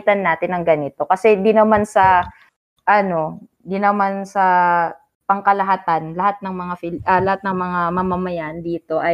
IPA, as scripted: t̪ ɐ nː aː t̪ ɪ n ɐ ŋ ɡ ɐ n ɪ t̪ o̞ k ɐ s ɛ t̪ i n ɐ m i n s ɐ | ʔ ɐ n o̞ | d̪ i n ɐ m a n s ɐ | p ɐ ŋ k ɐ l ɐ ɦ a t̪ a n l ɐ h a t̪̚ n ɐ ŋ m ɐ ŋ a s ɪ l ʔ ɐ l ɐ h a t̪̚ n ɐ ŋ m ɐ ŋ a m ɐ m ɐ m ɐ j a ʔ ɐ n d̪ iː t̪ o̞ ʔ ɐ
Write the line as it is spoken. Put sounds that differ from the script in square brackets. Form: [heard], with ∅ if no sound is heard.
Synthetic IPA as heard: t̪ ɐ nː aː t̪ ɪ n ɐ ŋ ɡ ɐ n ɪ t̪ o̞ k ɐ s ɛ [d̪] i n ɐ m [a] n s ɐ | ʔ ɐ n o̞ | d̪ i n ɐ m a n s ɐ | p ɐ ŋ k ɐ l ɐ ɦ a t̪ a n l ɐ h a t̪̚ n ɐ ŋ m ɐ ŋ a [f] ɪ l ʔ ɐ l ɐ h a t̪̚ n ɐ ŋ m ɐ ŋ a m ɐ m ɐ m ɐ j a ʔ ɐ n d̪ iː t̪ o̞ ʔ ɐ